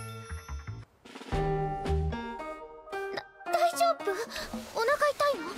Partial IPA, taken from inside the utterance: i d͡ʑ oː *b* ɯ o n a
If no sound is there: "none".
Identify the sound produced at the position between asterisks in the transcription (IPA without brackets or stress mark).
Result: b